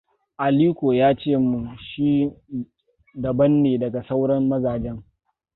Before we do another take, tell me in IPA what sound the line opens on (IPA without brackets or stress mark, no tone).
ʔ